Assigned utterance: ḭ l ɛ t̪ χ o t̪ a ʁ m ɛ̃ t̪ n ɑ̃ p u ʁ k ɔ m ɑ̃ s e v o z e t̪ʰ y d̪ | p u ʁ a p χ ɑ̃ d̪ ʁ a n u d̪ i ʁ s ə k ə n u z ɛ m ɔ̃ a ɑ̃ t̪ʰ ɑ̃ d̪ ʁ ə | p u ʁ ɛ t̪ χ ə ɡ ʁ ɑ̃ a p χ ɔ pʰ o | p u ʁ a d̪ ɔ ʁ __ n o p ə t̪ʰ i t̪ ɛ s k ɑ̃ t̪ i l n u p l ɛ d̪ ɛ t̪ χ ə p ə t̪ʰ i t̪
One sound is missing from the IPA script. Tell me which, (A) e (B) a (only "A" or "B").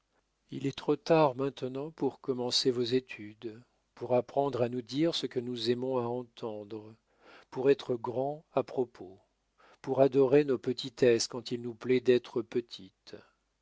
A